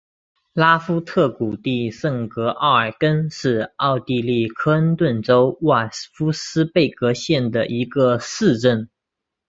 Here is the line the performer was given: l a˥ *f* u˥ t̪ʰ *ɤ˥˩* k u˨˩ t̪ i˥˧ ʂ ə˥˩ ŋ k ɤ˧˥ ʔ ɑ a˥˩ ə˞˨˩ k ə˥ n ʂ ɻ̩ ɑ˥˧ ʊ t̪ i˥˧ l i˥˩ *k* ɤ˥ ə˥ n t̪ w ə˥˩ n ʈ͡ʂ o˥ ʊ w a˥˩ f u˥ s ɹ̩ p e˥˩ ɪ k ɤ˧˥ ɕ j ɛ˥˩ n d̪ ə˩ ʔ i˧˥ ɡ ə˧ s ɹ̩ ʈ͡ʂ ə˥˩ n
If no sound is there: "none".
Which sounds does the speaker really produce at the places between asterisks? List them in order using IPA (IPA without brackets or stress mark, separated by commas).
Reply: f, ɤ˥˩, kʰ